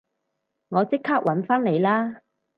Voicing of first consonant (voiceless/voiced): voiced